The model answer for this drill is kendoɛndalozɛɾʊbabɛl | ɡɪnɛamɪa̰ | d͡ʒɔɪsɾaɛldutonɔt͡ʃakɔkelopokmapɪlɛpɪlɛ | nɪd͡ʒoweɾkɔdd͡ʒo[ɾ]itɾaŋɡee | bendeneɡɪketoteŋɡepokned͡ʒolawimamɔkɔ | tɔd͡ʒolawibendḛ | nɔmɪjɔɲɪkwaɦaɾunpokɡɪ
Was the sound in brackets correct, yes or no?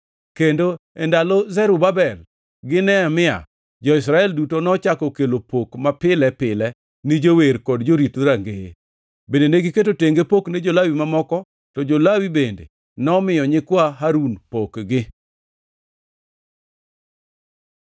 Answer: yes